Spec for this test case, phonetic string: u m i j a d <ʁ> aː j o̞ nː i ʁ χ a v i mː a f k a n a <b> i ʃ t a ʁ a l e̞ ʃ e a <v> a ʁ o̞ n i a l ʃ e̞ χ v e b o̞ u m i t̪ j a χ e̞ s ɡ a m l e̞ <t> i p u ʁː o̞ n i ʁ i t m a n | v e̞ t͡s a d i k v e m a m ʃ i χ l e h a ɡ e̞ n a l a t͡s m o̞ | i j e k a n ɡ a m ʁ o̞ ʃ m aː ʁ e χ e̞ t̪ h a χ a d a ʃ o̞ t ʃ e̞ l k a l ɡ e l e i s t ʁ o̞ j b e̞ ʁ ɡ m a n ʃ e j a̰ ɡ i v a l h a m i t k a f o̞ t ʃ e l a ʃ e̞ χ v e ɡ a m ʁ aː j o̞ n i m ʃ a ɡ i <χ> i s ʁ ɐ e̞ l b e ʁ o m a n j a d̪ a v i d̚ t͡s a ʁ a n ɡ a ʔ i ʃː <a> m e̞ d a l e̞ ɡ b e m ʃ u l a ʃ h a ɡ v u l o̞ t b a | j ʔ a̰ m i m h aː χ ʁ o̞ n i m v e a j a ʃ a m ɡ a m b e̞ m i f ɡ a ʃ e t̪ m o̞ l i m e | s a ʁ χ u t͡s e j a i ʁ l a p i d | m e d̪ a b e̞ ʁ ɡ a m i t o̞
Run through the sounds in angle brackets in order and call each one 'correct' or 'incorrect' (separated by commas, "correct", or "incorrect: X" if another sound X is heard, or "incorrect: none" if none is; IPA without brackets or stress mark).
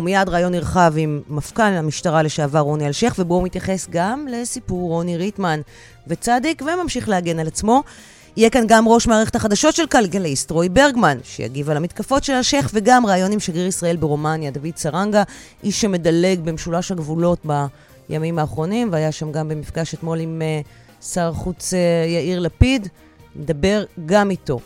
correct, incorrect: m, correct, incorrect: s, incorrect: ʁ, incorrect: e